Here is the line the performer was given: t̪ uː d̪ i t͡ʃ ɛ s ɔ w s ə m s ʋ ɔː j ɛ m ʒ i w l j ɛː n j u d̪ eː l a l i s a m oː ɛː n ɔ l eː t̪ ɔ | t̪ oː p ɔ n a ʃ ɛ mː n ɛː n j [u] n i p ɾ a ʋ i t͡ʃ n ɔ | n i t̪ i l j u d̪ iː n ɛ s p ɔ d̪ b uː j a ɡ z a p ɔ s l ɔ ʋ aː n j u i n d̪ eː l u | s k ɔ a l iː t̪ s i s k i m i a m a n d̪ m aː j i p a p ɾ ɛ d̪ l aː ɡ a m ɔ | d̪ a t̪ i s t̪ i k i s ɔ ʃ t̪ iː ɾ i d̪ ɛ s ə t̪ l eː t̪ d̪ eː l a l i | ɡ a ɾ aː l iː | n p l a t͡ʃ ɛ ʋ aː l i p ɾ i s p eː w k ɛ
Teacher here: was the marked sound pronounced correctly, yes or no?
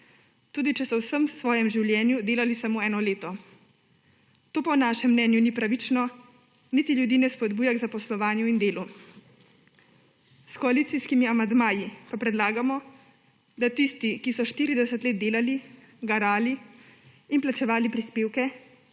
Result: yes